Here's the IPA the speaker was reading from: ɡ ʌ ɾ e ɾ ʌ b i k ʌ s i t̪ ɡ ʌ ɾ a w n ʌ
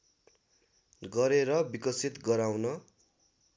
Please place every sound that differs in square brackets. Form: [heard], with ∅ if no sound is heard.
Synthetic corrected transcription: ɡ ʌ ɾ e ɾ ʌ b i k ʌ s i t̪ ɡ ʌ ɾ a w n ʌ